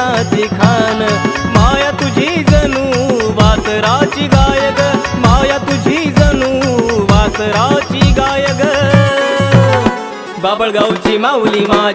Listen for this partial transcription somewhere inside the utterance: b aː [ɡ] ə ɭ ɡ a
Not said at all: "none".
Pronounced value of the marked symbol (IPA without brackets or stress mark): b